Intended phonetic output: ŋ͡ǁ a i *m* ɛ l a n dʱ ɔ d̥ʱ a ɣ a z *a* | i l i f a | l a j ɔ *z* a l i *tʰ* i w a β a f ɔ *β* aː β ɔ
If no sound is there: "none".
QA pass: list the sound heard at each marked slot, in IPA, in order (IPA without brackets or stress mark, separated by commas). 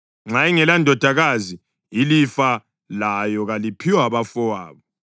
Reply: ŋ, i, ɣ, pʰ, w